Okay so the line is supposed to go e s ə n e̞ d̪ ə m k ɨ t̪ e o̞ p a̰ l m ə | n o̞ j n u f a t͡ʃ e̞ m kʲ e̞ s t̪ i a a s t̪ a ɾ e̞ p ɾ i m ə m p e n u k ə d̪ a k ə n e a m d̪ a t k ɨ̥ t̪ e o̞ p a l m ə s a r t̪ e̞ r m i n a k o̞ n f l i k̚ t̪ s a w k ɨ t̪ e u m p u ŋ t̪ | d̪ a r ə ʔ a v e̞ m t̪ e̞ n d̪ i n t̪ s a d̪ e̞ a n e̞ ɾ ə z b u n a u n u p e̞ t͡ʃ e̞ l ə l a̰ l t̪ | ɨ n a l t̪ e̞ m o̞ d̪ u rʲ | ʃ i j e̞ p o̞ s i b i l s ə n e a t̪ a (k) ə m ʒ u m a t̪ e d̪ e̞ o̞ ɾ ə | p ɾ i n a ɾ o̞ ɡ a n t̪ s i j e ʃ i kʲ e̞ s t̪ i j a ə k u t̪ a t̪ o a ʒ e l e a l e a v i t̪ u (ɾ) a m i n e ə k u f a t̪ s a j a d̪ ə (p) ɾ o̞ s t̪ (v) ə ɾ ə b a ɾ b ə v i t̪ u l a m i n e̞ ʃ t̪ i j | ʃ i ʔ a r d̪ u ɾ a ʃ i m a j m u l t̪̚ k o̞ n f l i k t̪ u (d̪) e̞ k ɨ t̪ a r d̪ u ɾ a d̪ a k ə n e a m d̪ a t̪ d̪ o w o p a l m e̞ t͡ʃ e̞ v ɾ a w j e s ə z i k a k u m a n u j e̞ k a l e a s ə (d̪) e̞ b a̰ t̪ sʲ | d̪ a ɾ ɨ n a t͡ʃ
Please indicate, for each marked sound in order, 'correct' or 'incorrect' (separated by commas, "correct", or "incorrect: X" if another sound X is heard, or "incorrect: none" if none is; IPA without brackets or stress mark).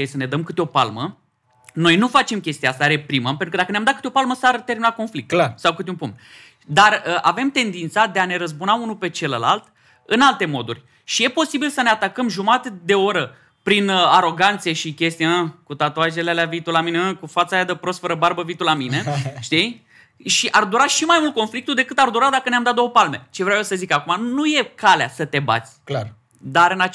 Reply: correct, incorrect: l, correct, incorrect: f, correct, incorrect: t̪